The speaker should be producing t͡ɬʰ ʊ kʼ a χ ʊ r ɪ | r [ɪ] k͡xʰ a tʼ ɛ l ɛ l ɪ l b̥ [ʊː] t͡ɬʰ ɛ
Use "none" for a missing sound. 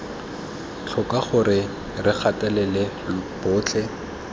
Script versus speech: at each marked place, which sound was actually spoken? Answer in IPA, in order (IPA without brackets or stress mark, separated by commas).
ɪ, ʊː